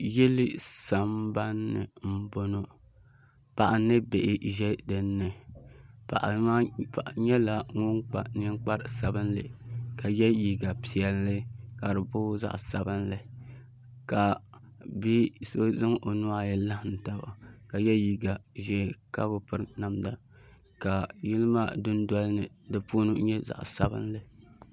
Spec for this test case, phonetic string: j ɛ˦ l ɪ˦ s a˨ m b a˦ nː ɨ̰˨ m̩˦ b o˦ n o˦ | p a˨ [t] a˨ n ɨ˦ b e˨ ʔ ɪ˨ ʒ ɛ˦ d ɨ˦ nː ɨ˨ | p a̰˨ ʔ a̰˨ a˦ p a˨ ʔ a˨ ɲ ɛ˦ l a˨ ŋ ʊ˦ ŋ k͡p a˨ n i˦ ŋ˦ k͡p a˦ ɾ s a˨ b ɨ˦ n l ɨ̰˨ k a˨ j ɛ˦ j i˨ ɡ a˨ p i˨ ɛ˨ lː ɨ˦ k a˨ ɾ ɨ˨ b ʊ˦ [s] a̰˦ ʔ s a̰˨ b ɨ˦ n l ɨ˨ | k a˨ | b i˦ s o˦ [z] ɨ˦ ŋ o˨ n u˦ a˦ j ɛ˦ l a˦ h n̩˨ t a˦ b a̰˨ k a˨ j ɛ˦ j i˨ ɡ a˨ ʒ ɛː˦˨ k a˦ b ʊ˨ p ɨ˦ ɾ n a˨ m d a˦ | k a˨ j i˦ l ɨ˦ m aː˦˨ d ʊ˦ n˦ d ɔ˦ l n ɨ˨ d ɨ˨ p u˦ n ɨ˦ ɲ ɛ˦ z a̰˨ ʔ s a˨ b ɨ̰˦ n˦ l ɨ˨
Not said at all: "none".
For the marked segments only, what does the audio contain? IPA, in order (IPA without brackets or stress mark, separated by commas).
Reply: ʔ, z, z